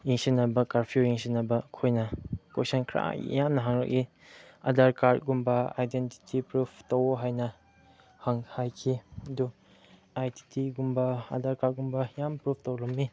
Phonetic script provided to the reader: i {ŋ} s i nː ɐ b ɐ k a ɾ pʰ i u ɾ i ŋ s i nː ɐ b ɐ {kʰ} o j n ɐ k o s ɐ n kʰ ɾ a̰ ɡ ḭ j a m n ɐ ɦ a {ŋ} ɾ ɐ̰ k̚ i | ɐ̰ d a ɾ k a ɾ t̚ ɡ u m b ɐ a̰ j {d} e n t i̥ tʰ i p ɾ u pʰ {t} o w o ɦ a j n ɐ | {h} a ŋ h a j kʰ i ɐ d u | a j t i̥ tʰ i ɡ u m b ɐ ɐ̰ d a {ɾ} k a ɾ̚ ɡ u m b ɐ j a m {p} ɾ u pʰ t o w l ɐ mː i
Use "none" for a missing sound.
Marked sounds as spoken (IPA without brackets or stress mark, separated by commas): ŋ, kʰ, ŋ, d, t, h, ɾ, p